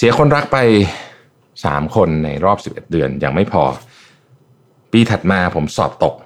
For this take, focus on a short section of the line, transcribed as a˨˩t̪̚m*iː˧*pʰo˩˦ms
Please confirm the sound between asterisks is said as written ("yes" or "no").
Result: no